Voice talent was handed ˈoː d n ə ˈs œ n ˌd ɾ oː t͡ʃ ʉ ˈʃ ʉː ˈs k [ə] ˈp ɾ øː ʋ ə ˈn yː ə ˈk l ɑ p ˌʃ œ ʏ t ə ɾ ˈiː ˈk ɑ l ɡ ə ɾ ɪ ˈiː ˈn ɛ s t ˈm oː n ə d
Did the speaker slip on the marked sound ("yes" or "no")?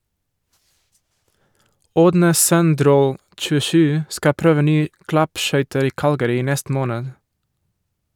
yes